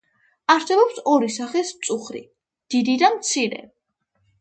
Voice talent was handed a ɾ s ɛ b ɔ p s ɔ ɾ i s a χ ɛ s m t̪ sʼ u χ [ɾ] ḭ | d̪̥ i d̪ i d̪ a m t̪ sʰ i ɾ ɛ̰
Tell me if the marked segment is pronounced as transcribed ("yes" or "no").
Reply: yes